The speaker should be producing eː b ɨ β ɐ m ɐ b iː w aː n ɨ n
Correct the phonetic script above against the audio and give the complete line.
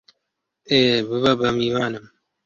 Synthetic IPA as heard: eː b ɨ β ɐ b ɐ m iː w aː n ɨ m